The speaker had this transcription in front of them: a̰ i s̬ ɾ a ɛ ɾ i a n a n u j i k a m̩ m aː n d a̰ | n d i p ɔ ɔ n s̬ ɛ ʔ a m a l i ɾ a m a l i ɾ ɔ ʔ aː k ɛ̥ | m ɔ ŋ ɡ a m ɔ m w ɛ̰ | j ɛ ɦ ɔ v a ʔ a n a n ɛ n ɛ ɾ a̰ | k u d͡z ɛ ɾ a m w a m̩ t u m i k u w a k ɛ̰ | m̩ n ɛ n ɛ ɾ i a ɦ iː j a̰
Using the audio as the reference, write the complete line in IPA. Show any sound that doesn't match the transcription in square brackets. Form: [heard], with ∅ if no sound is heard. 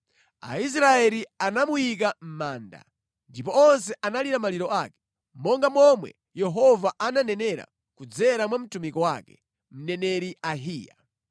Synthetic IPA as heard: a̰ i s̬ ɾ a ɛ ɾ i a n a [m] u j i k a m̩ m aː n d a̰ | n d i p ɔ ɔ n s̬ ɛ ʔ a [n] a l i ɾ a m a l i ɾ ɔ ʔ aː k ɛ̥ | m ɔ ŋ ɡ a m ɔ m w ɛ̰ | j ɛ ɦ ɔ v a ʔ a n a n ɛ n ɛ ɾ a̰ | k u d͡z ɛ ɾ a m w a m̩ t u m i k [ɔ] w a k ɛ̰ | m̩ n ɛ n ɛ ɾ i a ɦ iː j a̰